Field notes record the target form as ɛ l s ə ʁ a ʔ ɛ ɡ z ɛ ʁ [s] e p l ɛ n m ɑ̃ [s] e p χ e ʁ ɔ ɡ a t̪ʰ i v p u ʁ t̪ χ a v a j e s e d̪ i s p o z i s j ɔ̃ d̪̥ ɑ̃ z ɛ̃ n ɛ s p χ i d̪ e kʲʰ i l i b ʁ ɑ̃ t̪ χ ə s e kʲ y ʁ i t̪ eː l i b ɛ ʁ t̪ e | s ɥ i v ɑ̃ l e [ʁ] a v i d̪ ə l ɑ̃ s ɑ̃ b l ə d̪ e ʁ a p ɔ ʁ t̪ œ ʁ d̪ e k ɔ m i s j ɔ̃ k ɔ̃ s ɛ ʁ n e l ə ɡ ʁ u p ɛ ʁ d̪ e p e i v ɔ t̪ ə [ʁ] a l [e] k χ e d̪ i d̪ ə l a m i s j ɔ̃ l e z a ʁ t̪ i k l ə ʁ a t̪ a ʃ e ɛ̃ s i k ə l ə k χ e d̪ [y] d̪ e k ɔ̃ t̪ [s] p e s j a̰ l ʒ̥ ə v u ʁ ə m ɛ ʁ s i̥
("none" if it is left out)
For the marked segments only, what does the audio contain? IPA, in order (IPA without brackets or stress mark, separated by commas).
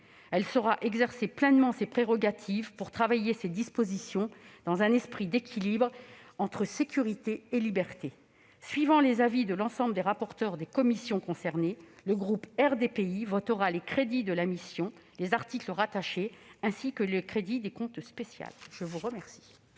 s, s, z, ʁ, e, i, s